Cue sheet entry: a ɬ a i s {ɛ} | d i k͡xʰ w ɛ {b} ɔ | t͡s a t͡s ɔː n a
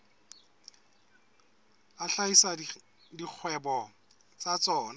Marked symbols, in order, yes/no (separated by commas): no, yes